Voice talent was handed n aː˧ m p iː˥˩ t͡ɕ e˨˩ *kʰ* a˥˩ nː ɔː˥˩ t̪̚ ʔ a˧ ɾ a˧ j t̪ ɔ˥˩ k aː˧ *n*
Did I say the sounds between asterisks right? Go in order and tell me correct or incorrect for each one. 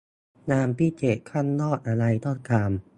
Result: correct, incorrect

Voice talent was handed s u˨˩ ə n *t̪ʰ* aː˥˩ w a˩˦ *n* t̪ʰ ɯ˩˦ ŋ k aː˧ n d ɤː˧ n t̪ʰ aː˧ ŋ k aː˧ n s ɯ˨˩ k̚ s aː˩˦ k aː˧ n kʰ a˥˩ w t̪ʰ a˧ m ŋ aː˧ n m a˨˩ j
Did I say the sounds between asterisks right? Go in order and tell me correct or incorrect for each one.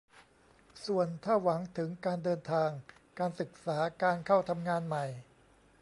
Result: correct, incorrect

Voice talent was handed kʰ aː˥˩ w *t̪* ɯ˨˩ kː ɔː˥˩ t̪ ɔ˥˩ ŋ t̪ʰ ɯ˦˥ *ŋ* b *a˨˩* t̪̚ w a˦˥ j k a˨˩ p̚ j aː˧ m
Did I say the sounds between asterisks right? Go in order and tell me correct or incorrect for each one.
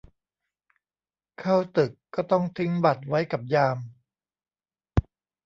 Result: correct, correct, correct

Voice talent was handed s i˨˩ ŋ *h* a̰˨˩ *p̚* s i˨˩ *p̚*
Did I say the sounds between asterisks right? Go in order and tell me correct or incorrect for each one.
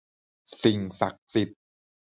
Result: incorrect, incorrect, correct

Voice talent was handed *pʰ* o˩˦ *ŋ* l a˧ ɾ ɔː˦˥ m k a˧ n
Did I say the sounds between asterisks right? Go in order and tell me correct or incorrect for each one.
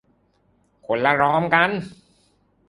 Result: incorrect, incorrect

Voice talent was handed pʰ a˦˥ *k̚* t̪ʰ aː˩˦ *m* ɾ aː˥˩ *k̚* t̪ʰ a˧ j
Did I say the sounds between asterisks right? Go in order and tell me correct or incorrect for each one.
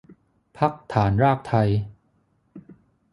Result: correct, incorrect, correct

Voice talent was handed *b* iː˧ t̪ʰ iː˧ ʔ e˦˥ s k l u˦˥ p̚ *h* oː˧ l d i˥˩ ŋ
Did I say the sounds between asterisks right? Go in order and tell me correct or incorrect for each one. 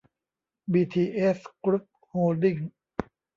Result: correct, correct

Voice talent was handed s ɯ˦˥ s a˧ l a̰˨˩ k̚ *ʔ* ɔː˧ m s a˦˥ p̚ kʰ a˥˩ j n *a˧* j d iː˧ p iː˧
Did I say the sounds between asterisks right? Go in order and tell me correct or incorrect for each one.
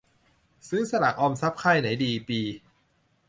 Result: correct, incorrect

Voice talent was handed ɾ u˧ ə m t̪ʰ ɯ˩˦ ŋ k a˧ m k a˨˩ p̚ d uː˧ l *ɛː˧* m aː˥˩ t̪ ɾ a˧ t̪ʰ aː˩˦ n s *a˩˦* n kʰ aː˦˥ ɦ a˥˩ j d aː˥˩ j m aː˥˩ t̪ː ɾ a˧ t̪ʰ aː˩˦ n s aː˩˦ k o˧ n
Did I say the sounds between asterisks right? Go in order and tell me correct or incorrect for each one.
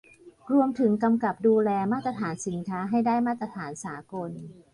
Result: correct, incorrect

